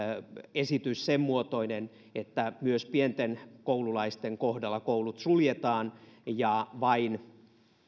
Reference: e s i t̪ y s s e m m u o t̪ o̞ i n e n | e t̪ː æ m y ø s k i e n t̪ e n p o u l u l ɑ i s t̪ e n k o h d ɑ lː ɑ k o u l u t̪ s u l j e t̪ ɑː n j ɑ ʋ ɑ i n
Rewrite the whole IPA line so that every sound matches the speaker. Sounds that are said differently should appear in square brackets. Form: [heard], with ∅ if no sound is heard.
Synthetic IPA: e s i t̪ y s s e m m u o t̪ o̞ i n e n | e t̪ː æ m y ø s [p] i e n t̪ e n [k] o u l u l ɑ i s t̪ e [ŋ] k o h d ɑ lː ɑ k o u l u t̪ s u l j e t̪ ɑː n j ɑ ʋ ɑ i n